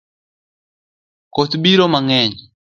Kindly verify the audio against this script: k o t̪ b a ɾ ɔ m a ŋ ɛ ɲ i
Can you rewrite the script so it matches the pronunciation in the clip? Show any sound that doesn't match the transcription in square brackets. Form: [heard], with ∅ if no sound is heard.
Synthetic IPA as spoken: k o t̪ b [i] ɾ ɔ m a ŋ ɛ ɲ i